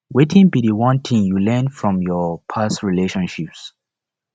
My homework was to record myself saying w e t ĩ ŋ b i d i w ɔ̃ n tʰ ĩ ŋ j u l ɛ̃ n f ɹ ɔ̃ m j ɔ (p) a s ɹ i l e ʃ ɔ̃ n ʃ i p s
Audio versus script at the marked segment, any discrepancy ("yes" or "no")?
yes